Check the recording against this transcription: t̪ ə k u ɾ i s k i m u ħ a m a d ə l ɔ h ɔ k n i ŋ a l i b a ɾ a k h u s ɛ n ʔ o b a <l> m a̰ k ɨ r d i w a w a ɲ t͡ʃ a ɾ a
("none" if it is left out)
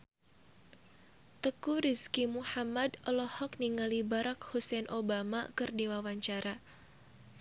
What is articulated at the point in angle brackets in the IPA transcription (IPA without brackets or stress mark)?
none